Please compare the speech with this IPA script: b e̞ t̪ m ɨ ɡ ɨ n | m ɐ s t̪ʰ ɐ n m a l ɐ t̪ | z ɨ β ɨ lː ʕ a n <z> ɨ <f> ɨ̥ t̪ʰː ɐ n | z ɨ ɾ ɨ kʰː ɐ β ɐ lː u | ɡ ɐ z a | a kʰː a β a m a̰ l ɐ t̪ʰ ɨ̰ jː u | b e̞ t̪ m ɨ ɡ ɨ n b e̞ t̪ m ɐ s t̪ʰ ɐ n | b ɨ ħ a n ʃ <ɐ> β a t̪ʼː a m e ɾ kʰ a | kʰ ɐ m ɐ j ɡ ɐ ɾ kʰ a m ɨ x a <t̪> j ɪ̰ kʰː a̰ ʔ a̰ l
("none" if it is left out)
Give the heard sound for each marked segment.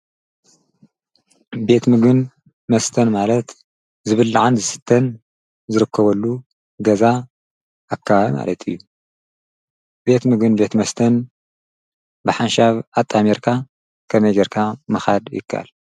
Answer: z, s, a, d̪

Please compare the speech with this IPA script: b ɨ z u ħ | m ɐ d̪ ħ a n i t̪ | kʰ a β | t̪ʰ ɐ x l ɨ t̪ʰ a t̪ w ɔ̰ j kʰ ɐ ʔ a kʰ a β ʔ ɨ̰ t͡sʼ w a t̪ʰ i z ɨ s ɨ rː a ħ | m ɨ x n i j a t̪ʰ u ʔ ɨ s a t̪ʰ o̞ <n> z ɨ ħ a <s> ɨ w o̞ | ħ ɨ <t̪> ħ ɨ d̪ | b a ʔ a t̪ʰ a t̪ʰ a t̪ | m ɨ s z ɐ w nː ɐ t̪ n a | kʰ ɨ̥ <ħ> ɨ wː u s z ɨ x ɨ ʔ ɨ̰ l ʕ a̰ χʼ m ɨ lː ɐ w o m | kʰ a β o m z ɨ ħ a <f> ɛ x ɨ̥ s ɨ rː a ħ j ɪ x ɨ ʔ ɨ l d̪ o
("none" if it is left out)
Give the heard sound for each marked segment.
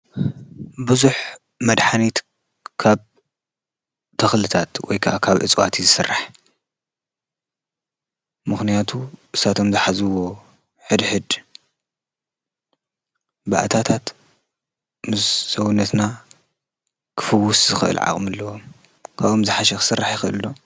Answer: m, z, d̪, f, ʃ

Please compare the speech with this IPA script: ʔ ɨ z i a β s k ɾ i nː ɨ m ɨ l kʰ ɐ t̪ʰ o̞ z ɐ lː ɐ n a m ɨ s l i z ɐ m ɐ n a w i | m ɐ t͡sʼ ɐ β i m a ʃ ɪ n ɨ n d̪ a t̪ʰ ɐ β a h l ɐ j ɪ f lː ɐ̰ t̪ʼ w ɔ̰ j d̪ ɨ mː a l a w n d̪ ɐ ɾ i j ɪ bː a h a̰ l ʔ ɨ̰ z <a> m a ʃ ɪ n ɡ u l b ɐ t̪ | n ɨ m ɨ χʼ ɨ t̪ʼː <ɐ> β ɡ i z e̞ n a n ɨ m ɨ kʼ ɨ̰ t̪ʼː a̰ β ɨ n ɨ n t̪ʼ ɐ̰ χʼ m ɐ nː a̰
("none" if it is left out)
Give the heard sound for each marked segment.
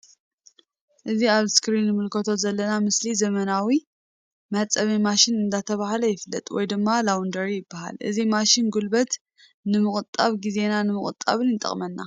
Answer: i, a

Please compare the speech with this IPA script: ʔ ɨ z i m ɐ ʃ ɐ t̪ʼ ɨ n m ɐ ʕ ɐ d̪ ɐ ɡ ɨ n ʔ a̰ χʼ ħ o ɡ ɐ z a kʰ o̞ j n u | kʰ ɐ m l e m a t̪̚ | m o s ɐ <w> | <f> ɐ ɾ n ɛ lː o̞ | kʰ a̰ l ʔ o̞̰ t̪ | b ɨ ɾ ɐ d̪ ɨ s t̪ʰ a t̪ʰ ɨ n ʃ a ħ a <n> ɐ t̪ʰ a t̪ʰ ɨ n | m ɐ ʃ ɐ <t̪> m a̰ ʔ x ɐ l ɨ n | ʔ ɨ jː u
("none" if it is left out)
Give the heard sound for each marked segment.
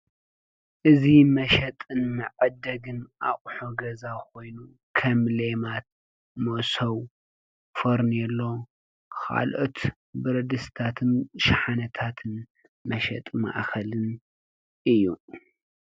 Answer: w, f, n, t̪ʼ

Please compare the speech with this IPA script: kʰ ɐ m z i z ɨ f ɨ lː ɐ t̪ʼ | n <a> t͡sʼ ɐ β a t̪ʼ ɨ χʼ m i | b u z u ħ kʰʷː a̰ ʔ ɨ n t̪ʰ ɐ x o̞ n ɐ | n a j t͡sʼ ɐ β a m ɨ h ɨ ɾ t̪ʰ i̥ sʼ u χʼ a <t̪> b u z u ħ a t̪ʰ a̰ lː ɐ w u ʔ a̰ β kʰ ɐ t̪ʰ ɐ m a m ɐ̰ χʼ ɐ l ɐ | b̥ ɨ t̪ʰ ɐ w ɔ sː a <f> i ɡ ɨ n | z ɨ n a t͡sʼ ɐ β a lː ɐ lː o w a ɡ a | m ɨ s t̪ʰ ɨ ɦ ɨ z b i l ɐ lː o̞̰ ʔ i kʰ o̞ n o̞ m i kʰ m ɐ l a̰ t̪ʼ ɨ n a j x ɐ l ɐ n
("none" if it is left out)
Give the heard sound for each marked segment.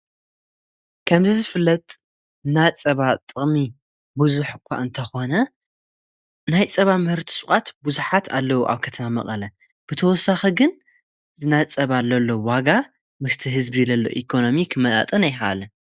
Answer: a, t̪, x

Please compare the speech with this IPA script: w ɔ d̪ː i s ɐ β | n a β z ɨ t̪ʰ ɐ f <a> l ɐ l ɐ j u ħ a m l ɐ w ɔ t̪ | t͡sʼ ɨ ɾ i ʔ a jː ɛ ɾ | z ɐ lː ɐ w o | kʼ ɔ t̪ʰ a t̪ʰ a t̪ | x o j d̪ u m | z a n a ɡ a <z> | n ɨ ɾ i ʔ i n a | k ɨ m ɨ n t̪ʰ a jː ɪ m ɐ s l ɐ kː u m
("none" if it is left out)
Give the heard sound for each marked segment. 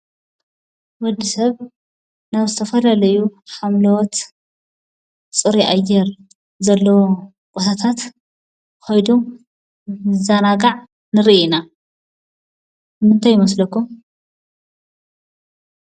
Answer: ɐ, ʕ

